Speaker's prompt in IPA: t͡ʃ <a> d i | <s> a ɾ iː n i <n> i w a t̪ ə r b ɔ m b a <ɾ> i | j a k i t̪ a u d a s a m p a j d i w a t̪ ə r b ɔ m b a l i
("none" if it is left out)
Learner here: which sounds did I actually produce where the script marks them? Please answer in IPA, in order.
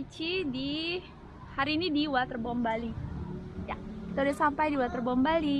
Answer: i, h, d, l

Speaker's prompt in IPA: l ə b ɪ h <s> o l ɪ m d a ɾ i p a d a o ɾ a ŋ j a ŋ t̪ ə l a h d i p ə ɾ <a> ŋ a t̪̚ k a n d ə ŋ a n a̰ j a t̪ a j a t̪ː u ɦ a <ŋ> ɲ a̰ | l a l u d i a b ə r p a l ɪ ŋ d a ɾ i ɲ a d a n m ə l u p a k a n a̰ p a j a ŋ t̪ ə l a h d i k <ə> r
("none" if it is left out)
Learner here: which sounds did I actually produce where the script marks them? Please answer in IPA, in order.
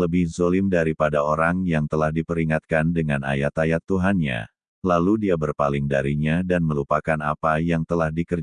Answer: z, i, n, ə

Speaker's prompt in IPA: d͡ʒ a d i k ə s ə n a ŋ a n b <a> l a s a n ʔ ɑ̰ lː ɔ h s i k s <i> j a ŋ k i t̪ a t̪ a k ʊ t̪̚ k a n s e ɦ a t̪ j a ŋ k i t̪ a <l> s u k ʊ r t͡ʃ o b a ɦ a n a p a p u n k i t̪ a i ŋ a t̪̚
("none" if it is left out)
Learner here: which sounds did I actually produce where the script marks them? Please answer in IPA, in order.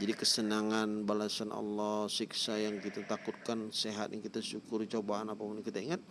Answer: a, a, none

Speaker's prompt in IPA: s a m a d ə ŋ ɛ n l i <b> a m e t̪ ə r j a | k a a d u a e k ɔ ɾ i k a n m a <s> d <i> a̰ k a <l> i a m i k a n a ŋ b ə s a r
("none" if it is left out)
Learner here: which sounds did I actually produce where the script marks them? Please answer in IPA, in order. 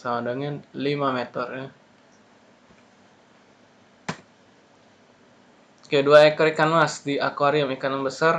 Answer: m, s, i, ɾ

